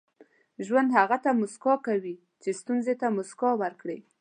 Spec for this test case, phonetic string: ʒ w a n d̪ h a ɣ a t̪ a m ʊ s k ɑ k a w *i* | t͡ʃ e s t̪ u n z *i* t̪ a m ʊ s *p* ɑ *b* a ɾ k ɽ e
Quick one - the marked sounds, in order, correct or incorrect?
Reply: correct, incorrect, incorrect, incorrect

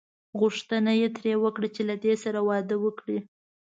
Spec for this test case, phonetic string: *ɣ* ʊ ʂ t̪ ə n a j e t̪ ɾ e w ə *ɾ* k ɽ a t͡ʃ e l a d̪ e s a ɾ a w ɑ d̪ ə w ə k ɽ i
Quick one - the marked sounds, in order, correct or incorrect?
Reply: correct, incorrect

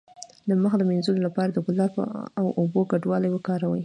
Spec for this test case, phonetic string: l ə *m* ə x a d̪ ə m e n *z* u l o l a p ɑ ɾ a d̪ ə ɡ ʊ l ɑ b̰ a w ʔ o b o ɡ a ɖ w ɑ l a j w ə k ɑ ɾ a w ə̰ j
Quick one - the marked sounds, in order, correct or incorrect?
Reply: correct, correct

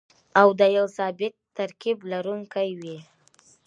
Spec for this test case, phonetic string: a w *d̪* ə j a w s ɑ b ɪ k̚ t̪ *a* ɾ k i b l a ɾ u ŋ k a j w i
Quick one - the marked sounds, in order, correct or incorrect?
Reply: correct, correct

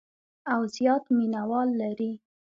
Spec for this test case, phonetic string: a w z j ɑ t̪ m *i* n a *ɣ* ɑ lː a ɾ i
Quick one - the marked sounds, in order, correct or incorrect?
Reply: correct, incorrect

